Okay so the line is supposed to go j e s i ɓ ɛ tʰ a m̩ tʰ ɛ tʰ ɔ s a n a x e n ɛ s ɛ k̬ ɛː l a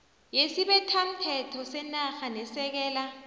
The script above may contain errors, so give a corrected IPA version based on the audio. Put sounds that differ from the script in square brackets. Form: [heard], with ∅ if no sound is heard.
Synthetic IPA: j e s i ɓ ɛ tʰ a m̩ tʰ ɛ tʰ ɔ s [ɛ] n a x [a] n ɛ s ɛ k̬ ɛː l a

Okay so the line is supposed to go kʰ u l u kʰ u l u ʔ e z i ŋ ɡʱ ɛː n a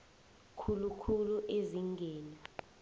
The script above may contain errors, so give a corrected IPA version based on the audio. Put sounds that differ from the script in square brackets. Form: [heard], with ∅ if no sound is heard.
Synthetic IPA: kʰ u l u kʰ u l u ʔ e z i ŋ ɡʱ ɛː n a

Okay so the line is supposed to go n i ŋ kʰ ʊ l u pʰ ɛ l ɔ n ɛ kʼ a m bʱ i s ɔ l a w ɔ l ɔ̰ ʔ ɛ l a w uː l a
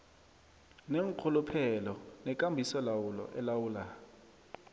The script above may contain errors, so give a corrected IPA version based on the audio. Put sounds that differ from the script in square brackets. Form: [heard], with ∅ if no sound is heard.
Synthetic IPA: n [e] ŋ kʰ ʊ l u pʰ ɛ l ɔ n ɛ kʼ a m bʱ i s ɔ l a w [u] l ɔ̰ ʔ ɛ l a w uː l a

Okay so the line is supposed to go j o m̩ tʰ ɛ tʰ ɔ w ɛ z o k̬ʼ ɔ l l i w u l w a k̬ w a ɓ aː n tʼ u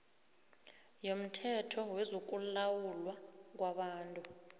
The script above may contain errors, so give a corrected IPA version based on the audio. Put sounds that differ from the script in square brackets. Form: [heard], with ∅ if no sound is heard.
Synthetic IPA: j o m̩ tʰ ɛ tʰ ɔ w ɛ z o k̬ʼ [u] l l [a] w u l w a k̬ w a ɓ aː n tʼ u

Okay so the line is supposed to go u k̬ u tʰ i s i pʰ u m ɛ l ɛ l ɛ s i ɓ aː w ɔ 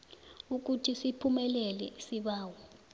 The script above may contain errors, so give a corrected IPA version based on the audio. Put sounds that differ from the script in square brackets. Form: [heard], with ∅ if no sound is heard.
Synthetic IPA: u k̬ u tʰ i s i pʰ u m ɛ l ɛ l ɛ s i ɓ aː w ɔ

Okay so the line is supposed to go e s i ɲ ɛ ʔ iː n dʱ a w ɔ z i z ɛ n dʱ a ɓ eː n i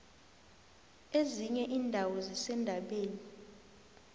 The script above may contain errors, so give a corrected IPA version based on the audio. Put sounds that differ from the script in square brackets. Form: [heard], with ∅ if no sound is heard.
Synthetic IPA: e [z] i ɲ ɛ ʔ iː n dʱ a w ɔ z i [s] ɛ n dʱ a ɓ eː n i

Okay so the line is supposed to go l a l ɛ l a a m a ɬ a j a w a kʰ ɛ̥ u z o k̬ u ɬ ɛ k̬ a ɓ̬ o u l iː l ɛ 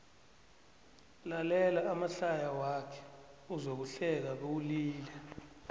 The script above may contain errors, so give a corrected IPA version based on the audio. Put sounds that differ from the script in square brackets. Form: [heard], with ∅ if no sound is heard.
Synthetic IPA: l a l ɛ l a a m a ɬ a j a w a kʰ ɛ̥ u z o k̬ u ɬ ɛ k̬ a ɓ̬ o u l iː l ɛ

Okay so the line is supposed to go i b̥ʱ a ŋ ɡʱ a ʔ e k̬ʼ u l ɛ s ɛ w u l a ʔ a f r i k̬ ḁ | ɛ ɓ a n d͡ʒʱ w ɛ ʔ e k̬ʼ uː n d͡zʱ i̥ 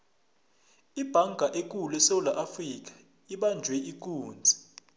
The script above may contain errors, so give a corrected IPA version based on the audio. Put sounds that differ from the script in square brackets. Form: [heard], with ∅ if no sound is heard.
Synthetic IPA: i b̥ʱ a ŋ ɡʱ a ʔ e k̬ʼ u l ɛ s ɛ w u l a ʔ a f r i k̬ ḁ | [i] ɓ a n d͡ʒʱ w ɛ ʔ [i] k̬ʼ uː n d͡zʱ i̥

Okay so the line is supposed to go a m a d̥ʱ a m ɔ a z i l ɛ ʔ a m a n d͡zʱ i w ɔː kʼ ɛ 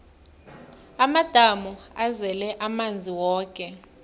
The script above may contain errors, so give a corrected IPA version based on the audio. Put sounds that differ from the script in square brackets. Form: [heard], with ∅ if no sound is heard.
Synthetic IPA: a m a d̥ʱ a m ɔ a z [ɛ] l ɛ ʔ a m a n d͡zʱ i w ɔː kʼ ɛ

